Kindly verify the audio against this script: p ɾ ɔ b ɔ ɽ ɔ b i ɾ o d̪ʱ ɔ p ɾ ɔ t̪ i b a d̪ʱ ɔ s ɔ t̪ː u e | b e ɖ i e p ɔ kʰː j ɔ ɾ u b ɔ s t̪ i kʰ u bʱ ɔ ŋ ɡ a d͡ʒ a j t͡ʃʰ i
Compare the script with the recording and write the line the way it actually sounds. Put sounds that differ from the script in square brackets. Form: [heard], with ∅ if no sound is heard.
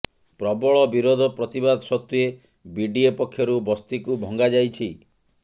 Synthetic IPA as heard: p ɾ ɔ b ɔ [ɭ] ɔ b i ɾ o d̪ʱ ɔ p ɾ ɔ t̪ i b a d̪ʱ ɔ s ɔ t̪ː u e | b [i] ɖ i e p ɔ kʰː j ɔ ɾ u b ɔ s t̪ i [k] u bʱ ɔ ŋ ɡ a d͡ʒ a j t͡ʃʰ i

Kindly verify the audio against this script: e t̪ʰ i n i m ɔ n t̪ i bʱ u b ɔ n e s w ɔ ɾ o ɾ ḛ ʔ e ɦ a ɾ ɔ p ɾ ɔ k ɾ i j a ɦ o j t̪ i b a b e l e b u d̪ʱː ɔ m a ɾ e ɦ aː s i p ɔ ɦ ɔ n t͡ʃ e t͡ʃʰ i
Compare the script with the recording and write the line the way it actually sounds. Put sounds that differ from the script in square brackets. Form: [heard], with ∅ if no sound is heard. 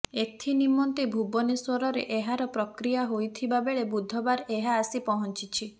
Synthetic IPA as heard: e t̪ʰ i n i m ɔ n t̪ i bʱ u b ɔ n e s w ɔ ɾ [ɔ] ɾ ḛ ʔ e ɦ a ɾ ɔ p ɾ ɔ k ɾ i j a ɦ o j [t̪ʰ] i b a b e [ɭ] e b u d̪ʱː ɔ [b] a ɾ e ɦ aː s i p ɔ ɦ ɔ n t͡ʃ [i] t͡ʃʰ i

